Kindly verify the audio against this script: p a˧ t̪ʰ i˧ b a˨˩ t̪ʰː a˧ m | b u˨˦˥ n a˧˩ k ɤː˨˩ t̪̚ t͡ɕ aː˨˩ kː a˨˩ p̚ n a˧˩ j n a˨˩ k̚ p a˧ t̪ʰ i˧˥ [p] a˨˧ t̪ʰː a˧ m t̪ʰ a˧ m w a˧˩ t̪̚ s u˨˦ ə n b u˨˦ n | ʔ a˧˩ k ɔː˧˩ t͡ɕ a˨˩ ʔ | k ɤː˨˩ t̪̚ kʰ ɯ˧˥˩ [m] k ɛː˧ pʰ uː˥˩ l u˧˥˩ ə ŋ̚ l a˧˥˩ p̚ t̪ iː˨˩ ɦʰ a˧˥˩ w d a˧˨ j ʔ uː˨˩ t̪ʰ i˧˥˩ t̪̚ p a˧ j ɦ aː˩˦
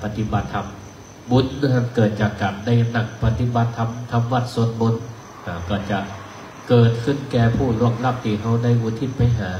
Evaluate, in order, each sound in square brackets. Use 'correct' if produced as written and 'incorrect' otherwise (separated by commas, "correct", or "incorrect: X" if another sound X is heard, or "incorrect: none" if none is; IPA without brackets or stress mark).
incorrect: b, incorrect: n